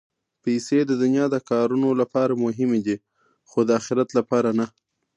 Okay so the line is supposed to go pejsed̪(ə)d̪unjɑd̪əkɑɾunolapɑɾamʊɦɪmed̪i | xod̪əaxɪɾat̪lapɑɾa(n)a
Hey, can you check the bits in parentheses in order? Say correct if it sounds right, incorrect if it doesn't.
correct, correct

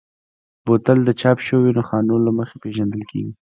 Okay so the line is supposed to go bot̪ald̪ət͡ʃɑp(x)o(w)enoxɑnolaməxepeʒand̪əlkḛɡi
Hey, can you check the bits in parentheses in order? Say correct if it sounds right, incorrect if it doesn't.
incorrect, correct

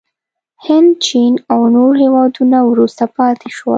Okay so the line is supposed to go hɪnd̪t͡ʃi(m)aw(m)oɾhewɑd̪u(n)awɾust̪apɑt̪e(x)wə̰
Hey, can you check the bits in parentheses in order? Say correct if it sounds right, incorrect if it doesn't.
incorrect, incorrect, correct, incorrect

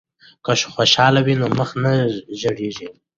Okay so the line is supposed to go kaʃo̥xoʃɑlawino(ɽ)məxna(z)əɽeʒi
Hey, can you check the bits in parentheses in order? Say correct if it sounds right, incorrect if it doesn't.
incorrect, incorrect

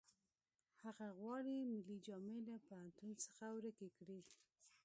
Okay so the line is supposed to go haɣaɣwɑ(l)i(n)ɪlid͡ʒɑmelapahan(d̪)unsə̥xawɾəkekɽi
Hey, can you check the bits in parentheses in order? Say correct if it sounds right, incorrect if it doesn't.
incorrect, incorrect, incorrect

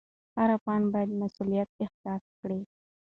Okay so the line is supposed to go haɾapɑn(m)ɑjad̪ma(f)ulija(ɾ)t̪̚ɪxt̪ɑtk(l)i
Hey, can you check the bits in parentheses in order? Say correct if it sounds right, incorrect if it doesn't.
incorrect, incorrect, incorrect, incorrect

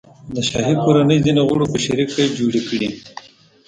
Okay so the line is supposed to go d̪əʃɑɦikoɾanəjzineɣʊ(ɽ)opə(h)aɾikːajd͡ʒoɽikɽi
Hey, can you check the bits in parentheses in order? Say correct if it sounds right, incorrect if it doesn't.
correct, incorrect

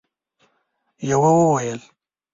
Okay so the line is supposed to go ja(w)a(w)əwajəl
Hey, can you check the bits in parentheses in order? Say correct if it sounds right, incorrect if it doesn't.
correct, correct

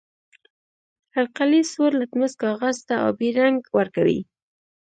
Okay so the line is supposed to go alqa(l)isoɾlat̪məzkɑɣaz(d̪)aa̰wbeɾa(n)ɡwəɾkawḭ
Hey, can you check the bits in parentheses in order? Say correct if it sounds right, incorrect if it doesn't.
correct, incorrect, incorrect

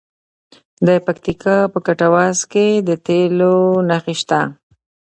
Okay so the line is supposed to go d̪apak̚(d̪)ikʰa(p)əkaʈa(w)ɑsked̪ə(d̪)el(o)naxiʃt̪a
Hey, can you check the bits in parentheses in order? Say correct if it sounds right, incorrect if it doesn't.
incorrect, correct, correct, incorrect, correct

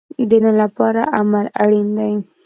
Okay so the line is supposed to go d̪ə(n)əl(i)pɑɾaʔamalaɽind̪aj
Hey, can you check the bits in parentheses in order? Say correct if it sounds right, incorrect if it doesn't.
correct, incorrect

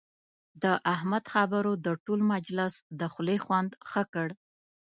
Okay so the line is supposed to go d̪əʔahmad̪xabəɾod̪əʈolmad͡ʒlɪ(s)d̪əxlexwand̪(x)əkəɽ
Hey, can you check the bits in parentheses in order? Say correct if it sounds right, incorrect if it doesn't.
correct, correct

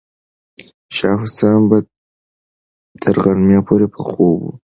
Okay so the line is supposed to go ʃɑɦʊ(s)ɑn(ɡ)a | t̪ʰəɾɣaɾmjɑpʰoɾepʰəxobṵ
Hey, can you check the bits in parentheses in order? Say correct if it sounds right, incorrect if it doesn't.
correct, incorrect

